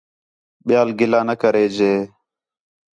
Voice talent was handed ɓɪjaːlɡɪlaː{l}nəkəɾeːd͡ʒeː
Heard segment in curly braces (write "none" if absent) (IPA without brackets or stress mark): none